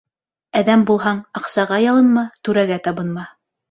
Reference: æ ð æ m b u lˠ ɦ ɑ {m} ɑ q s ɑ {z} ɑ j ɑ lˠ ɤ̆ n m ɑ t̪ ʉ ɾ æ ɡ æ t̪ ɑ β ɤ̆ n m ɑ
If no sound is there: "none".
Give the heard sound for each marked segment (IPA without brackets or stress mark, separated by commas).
ɴ, ʁ